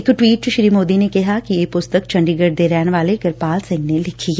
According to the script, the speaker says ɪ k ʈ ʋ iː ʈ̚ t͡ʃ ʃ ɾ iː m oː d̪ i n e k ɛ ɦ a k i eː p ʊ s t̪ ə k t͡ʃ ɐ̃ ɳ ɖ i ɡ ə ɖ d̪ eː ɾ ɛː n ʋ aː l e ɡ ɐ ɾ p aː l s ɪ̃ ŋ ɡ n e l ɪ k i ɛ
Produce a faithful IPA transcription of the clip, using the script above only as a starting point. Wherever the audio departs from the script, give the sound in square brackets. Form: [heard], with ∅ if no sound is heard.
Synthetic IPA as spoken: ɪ k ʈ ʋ iː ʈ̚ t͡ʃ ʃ ɾ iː m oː d̪ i n e k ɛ ɦ a k i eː p ʊ s t̪ ə k t͡ʃ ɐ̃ ɳ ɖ i ɡ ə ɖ d̪ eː ɾ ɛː n ʋ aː l e ɡ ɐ ɾ p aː l s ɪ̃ ŋ ɡ n e l ɪ [kʰ] i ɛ